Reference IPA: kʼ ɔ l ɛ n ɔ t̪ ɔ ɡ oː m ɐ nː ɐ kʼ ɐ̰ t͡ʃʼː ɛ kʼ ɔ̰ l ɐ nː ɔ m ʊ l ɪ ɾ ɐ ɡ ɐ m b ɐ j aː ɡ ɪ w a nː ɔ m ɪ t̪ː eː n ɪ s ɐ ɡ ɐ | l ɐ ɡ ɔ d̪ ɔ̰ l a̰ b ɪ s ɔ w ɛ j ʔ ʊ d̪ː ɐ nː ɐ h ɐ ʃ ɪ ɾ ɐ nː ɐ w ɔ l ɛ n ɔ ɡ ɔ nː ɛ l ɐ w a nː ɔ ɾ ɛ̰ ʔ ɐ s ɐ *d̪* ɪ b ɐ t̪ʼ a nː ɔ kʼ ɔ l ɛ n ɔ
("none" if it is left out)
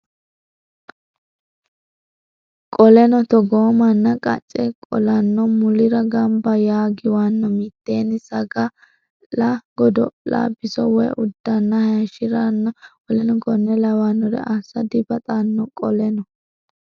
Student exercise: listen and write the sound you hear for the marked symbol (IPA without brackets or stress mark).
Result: d̪